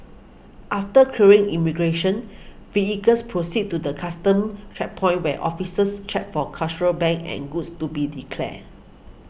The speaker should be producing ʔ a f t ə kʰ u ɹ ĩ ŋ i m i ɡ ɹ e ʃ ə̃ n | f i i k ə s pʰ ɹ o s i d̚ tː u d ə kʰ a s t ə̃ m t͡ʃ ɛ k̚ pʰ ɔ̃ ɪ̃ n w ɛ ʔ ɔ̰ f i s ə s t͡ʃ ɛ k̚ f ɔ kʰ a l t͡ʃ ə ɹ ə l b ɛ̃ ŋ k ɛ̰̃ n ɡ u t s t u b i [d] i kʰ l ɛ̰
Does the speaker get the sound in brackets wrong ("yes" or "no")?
no